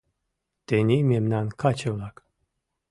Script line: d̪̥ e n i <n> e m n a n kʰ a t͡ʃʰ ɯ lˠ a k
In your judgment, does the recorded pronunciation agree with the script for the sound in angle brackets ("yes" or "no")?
no